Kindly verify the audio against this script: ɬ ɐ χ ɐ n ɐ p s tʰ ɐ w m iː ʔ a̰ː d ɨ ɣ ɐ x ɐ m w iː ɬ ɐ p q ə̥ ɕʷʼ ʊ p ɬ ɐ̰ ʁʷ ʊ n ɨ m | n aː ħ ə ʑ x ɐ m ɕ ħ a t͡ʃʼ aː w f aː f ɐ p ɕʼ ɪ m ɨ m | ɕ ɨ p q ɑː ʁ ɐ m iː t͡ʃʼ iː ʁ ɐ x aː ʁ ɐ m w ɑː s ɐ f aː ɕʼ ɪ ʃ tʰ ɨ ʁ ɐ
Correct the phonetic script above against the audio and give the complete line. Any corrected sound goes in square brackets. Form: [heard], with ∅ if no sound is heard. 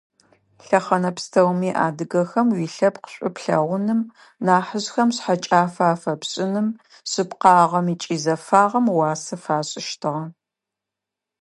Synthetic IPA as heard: ɬ ɐ χ ɐ n ɐ p s tʰ ɐ w m iː ʔ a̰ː d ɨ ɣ ɐ x ɐ m w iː ɬ ɐ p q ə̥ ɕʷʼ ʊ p ɬ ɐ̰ ʁʷ ʊ n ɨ m | n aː ħ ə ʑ x ɐ m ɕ ħ a t͡ʃʼ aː [∅] f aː f ɐ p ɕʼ ɪ [n] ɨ m | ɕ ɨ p q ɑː ʁ ɐ m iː t͡ʃʼ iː [z] ɐ [f] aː ʁ ɐ m w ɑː s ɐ f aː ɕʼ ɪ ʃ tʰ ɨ ʁ ɐ